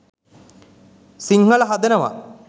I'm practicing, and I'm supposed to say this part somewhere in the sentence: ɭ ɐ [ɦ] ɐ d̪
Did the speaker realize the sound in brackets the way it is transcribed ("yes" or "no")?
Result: yes